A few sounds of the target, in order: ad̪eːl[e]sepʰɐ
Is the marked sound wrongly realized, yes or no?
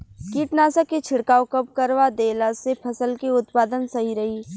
yes